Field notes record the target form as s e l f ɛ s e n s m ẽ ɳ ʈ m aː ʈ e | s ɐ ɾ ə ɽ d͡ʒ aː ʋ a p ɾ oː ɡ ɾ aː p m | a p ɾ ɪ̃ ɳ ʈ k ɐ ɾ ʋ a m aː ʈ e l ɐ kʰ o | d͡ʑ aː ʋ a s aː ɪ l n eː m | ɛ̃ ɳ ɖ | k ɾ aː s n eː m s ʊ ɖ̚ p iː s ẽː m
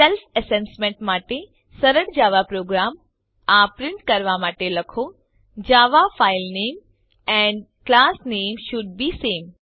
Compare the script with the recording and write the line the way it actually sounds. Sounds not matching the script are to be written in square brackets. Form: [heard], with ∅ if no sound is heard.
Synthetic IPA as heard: s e l f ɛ s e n s m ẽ ɳ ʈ m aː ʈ e | s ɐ ɾ ə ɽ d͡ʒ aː ʋ a p ɾ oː ɡ ɾ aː [∅] m | a p ɾ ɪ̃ ɳ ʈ k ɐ ɾ ʋ a m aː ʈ e l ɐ kʰ o | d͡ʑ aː ʋ a [f] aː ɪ l n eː m | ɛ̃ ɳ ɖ | k [l] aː s n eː m [ʃ] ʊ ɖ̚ [b] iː s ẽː m